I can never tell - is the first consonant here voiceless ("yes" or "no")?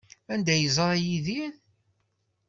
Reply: no